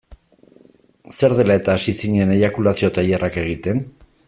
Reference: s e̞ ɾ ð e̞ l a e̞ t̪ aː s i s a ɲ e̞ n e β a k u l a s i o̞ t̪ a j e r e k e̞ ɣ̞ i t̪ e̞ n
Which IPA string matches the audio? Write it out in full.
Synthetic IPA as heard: s e̞ ɾ ð e̞ l a e̞ t̪ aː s i s i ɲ e̞ n e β a k u l a s i o̞ t̪ a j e r a k e̞ ɣ̞ i t̪ e̞ n